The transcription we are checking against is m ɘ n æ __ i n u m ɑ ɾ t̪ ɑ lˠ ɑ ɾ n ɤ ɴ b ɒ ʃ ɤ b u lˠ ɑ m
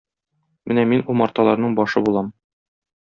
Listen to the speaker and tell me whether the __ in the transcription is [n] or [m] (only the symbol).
m